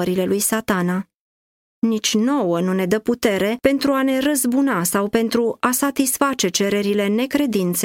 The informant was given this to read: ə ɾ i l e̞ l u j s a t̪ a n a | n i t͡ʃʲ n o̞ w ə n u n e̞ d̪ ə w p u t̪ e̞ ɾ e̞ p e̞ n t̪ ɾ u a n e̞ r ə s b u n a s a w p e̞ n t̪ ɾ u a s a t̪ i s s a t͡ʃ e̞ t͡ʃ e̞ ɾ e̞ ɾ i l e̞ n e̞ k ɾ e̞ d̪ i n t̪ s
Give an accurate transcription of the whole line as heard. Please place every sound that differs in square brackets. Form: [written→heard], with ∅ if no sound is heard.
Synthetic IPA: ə ɾ i l e̞ l u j s a t̪ a n a | n i t͡ʃʲ n o̞ w ə n u n e̞ d̪ ə [w→∅] p u t̪ e̞ ɾ e̞ p e̞ n t̪ ɾ u a n e̞ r ə [s→z] b u n a s a w p e̞ n t̪ ɾ u a s a t̪ i s [s→f] a t͡ʃ e̞ t͡ʃ e̞ ɾ e̞ ɾ i l e̞ n e̞ k ɾ e̞ d̪ i n t̪ s